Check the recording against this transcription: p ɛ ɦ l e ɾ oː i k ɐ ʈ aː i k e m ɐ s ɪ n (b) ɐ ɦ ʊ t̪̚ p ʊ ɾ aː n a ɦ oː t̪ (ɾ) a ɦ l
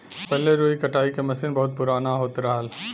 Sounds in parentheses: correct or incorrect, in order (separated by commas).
correct, correct